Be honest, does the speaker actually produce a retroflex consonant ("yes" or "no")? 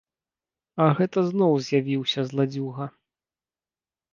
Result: no